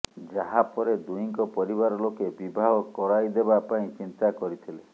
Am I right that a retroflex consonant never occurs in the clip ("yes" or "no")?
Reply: yes